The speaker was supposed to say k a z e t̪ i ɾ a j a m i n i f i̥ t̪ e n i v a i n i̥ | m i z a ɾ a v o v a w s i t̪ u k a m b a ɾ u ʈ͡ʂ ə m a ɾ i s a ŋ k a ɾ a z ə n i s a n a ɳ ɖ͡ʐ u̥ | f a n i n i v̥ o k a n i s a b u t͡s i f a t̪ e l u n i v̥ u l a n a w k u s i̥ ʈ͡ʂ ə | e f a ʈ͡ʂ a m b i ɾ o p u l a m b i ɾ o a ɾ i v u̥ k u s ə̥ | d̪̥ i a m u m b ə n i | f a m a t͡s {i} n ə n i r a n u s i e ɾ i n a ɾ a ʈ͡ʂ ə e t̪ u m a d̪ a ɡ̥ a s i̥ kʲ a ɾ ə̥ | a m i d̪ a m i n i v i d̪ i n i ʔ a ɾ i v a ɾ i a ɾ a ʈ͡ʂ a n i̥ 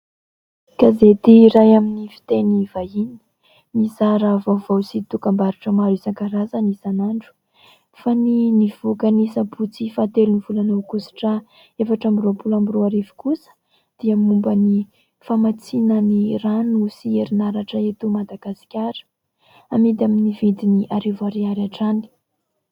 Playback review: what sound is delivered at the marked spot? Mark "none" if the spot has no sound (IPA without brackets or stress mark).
i